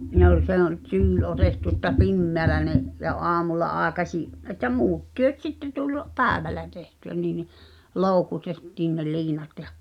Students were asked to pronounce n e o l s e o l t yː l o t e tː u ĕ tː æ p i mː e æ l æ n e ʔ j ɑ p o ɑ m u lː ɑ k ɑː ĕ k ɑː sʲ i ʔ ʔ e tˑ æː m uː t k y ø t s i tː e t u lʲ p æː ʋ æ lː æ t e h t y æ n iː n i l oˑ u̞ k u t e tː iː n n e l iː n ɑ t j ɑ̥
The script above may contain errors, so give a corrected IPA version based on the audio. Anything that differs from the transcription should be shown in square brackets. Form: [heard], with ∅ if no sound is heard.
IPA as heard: n e o l s e o l t yː l o t e tː u ĕ tː æ p i mː e æ l æ n e ʔ j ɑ [ʔ] o ɑ m u lː ɑ [ʔ] ɑː ĕ k [ɑ] sʲ i ʔ ʔ e tˑ [æ] m uː t [t] y ø t s i tː e t u lʲ p æː ʋ æ lː æ t e h t y æ n iː n i l oˑ u̞ k u t e tː iː n n e l iː n ɑ t j ɑ̥